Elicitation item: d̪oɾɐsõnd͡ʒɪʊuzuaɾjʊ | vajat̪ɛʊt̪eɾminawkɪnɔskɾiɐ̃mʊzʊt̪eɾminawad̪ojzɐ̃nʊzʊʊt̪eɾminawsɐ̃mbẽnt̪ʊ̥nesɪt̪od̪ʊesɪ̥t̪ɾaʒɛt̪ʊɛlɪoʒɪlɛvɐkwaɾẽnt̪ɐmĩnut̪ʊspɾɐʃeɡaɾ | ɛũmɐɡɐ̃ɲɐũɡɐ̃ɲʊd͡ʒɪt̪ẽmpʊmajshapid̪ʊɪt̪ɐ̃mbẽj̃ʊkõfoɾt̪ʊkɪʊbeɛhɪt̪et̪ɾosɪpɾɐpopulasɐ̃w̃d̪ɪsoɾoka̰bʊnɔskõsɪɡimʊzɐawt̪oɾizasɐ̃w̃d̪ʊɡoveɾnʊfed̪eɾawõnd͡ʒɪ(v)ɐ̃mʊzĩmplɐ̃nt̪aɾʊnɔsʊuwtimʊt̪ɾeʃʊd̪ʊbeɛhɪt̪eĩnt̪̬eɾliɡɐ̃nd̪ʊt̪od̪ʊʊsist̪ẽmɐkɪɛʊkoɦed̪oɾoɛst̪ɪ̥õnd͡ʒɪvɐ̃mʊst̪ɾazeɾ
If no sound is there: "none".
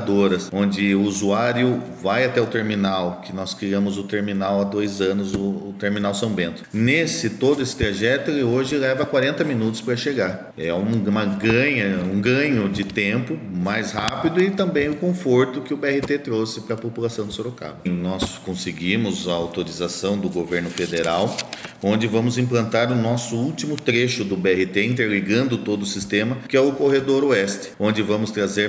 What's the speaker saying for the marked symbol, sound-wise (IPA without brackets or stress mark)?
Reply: v